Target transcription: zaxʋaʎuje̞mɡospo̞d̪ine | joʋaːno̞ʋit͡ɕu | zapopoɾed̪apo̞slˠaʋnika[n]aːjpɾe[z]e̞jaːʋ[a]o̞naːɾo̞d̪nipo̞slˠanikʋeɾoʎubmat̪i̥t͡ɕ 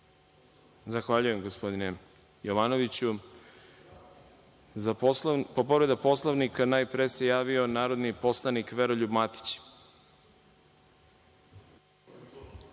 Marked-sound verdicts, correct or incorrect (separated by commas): correct, incorrect, incorrect